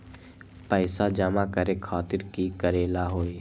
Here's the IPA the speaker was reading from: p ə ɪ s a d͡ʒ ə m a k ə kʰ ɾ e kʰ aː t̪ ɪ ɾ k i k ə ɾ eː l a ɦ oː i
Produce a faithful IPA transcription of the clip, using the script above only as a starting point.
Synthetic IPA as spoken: p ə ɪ s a d͡ʒ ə m a k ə ɾ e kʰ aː t̪ ɪ ɾ k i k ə ɾ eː l a ɦ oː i